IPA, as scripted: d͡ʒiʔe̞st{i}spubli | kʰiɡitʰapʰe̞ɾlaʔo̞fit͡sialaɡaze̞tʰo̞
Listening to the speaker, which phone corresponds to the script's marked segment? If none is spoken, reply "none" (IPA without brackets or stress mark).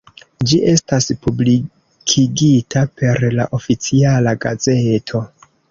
a